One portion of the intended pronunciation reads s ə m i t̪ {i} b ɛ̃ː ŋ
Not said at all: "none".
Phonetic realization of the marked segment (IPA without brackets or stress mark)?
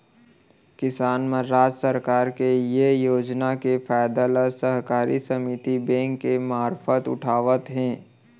i